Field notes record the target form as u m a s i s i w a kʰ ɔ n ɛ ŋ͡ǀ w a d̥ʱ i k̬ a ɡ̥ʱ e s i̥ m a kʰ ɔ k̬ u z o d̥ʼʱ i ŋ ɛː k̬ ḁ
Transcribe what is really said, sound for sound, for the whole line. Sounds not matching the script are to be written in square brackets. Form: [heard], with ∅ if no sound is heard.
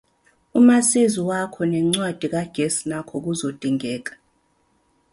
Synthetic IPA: u m a s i [z] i w a kʰ ɔ n ɛ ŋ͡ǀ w a d̥ʱ i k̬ a ɡ̥ʱ e s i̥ [n] a kʰ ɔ k̬ u z o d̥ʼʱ i ŋ ɛː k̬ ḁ